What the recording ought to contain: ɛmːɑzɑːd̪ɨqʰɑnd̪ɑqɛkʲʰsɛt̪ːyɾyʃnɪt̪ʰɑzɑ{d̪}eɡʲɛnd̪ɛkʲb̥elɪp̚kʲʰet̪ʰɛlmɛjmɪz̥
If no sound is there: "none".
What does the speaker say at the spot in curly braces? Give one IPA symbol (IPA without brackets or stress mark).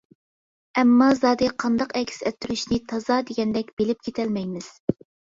d̪